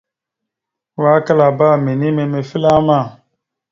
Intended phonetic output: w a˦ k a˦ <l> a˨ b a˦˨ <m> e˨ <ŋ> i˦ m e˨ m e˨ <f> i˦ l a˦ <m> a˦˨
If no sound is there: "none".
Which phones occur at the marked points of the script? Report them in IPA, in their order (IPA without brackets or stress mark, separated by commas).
l, m, n, f, m